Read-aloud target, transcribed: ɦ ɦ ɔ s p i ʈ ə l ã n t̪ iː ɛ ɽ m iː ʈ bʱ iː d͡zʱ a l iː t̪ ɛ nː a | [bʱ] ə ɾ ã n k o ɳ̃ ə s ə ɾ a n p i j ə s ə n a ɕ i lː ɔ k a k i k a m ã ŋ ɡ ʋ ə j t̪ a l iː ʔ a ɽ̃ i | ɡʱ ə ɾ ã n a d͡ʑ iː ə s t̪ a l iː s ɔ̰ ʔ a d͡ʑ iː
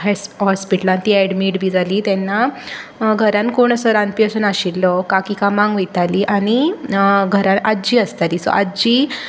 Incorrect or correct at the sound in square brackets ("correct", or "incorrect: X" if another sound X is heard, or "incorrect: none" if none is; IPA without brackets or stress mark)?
incorrect: ɡʱ